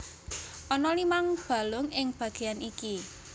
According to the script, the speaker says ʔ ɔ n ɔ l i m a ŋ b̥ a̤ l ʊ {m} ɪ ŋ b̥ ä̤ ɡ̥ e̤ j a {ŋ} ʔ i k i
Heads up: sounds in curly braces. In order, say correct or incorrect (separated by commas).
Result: incorrect, incorrect